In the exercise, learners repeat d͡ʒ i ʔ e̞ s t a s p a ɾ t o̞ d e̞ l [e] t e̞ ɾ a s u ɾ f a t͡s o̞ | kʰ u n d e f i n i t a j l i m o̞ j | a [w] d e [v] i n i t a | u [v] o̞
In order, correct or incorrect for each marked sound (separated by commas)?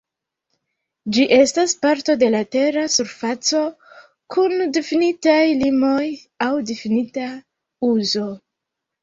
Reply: incorrect, correct, incorrect, incorrect